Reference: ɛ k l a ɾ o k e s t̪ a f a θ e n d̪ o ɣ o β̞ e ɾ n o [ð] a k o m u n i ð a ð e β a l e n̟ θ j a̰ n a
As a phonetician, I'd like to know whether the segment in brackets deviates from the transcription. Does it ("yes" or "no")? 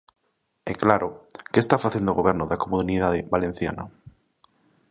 no